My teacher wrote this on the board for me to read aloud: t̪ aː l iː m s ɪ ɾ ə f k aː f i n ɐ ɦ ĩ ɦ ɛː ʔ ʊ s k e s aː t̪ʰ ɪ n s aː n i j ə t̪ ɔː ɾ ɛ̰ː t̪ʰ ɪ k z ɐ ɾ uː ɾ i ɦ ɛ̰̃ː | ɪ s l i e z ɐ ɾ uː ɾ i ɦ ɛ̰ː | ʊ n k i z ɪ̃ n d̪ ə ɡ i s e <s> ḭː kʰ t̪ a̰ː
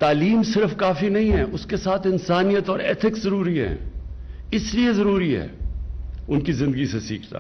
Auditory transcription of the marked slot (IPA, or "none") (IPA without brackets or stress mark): s